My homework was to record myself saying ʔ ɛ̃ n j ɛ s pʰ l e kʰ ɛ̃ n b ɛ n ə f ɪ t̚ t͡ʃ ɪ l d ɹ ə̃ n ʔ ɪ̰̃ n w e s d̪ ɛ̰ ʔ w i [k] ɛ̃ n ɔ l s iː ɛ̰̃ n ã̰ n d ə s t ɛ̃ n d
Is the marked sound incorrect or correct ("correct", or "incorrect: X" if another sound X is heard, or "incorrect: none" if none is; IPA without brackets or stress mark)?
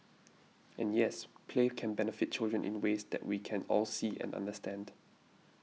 incorrect: kʰ